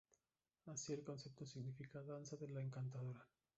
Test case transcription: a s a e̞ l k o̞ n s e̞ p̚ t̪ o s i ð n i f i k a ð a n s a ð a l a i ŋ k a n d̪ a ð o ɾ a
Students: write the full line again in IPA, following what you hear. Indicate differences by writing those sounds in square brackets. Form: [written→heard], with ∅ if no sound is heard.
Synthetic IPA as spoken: a s [a→i] e̞ l k o̞ n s e̞ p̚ t̪ o s i [ð→ɣ] n i f i k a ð a n s a ð [a→e] l a [i→e] ŋ k a n [d̪→t̪] a ð o ɾ a